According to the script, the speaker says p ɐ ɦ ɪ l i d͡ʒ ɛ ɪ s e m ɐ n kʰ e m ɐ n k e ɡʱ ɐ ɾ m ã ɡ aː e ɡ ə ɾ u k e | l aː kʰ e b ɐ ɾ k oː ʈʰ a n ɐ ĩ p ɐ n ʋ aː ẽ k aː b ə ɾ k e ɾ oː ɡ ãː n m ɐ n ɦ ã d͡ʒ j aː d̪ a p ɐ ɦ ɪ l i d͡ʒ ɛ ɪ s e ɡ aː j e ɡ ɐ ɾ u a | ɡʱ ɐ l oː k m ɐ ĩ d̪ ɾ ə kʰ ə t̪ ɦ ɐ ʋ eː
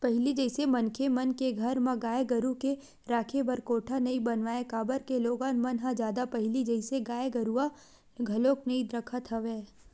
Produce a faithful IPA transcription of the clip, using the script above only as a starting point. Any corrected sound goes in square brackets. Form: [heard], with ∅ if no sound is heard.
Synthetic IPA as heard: p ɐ ɦ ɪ l i d͡ʒ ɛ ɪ s e m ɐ n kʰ e m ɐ n k e ɡʱ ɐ ɾ m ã ɡ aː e ɡ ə ɾ u k e | [ɾ] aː kʰ e b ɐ ɾ k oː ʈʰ a n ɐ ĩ [b] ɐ n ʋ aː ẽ k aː b ə ɾ k e [l] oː ɡ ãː n m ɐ n ɦ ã d͡ʒ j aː d̪ a p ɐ ɦ ɪ l i d͡ʒ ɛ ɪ s e ɡ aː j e ɡ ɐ ɾ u a | ɡʱ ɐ l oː k [n] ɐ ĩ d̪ ɾ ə kʰ ə t̪ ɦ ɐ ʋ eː